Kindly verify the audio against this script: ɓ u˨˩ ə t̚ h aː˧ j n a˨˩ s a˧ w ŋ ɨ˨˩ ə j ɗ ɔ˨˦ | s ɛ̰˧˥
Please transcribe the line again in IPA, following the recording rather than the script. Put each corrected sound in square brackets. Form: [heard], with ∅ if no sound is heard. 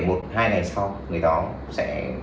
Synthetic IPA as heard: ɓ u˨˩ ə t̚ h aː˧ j n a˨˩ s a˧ w ŋ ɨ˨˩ ə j ɗ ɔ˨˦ | s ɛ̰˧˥